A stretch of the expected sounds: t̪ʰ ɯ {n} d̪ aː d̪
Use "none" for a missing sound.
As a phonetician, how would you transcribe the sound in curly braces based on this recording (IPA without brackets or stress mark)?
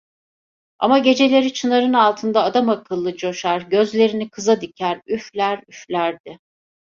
n